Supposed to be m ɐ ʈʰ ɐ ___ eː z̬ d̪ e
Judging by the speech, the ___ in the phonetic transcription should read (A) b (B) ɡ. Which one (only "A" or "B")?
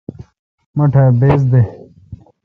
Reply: A